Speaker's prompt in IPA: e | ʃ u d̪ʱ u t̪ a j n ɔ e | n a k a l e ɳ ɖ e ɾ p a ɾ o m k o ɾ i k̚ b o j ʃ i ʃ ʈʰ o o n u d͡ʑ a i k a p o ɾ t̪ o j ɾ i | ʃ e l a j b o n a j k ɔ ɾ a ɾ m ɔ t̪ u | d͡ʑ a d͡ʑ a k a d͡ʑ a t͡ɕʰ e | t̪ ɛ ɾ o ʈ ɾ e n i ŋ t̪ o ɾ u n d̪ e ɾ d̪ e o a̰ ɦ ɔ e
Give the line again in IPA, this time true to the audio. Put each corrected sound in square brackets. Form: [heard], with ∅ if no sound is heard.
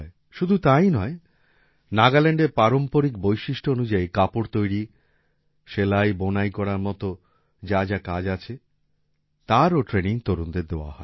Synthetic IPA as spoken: e | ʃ u d̪ʱ u t̪ a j n ɔ e | n a [ɡ] a l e ɳ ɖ e ɾ p a ɾ o m [p] o ɾ i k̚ b o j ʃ i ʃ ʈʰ o o n u d͡ʑ a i k a p o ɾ t̪ o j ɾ i | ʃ e l a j b o n a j k ɔ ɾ a ɾ m ɔ t̪ [o] | d͡ʑ a d͡ʑ a k a d͡ʑ a t͡ɕʰ e | t̪ [a] ɾ o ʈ ɾ e n i ŋ t̪ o ɾ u n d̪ e ɾ d̪ e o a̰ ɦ ɔ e